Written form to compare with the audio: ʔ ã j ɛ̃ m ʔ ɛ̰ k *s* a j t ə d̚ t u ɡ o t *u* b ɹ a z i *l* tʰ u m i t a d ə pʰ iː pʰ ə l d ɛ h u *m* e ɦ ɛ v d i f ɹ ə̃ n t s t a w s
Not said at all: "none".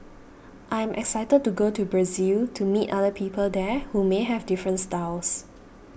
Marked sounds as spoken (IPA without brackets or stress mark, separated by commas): s, u, l, m